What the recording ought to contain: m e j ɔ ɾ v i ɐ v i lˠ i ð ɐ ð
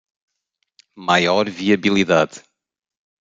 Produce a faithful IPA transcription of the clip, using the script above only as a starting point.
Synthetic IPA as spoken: m a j ɔ ɾ v i ɐ β i lˠ i ð a ð